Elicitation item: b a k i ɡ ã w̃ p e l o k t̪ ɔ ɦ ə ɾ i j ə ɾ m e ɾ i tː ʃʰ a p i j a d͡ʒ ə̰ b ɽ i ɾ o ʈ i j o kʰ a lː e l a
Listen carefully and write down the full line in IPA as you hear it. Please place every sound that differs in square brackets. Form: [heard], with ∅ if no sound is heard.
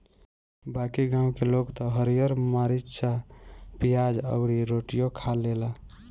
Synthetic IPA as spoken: b a k i ɡ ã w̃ [k] e l o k t̪ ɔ ɦ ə ɾ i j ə ɾ m [a] ɾ i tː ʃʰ a p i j a d͡ʒ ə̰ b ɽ i ɾ o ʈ i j o kʰ a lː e l a